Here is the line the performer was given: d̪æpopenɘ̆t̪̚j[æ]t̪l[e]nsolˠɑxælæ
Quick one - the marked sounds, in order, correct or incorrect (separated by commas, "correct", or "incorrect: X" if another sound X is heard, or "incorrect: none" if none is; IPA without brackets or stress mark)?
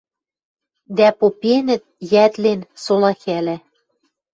correct, correct